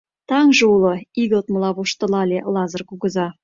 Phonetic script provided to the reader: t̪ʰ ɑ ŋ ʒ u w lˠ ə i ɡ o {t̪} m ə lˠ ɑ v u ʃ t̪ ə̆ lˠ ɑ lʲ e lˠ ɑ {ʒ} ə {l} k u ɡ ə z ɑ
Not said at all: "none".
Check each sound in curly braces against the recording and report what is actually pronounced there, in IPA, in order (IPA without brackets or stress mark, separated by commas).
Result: t̪, z, r